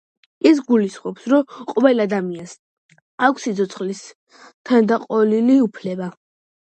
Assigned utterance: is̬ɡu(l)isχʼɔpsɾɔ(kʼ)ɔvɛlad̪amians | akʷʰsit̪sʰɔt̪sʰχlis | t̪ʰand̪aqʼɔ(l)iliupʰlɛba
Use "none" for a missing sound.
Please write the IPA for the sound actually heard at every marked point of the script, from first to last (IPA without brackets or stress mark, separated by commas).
l, qʼ, l